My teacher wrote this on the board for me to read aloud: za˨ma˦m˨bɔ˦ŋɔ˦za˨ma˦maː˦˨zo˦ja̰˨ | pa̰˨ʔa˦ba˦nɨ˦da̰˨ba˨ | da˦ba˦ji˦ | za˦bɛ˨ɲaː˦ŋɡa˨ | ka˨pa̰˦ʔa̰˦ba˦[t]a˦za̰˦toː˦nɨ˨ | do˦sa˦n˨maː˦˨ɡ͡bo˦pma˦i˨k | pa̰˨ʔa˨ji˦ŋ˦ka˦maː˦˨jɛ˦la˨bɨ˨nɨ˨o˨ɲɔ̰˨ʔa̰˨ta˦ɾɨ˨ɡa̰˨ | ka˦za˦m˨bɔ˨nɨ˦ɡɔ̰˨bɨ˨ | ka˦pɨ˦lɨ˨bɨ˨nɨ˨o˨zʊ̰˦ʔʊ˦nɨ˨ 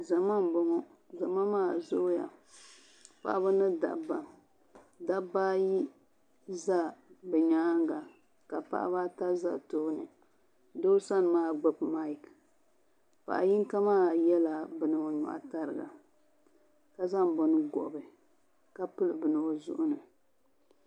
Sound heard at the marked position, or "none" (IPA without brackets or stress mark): t